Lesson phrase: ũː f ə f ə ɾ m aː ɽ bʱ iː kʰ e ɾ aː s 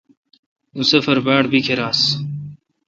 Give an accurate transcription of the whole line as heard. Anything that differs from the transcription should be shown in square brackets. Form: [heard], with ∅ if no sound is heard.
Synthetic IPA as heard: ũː [s] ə f ə ɾ [b] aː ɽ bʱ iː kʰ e ɾ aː s